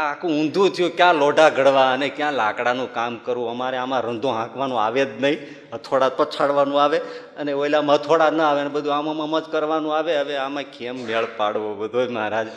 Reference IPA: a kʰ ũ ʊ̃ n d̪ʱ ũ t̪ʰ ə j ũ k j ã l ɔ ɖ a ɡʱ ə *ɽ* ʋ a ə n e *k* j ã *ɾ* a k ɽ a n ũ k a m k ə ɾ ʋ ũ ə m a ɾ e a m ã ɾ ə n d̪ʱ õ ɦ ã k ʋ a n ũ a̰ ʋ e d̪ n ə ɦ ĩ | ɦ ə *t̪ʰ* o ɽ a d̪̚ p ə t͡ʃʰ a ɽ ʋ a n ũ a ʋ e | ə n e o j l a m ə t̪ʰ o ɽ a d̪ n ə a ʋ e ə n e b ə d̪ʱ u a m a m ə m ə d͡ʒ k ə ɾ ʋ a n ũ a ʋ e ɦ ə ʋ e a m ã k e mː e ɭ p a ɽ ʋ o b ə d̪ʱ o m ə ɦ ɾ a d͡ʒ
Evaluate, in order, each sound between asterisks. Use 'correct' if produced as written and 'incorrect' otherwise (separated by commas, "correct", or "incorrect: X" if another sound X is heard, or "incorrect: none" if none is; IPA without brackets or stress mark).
correct, correct, incorrect: l, correct